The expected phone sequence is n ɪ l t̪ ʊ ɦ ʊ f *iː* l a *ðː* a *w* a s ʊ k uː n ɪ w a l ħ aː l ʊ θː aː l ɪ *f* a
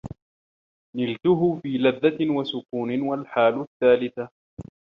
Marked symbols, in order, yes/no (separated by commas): yes, yes, yes, no